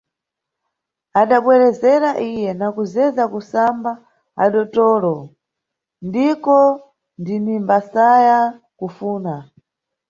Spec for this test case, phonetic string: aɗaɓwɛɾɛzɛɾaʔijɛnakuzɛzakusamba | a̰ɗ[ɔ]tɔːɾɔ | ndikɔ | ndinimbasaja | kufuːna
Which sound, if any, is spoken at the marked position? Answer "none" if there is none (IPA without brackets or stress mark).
ɔ